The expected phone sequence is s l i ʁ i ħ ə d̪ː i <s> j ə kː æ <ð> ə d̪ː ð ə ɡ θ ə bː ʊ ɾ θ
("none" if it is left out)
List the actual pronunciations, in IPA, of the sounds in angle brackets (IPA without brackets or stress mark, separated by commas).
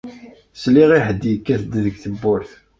none, θ